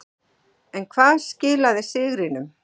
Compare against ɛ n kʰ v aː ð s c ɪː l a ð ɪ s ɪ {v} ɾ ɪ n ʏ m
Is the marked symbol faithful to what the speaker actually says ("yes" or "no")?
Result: no